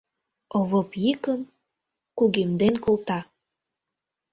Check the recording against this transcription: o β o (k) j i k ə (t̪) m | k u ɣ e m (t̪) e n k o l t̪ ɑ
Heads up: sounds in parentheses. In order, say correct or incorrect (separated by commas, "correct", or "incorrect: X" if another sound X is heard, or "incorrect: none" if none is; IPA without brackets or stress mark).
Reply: incorrect: p, incorrect: none, incorrect: d̪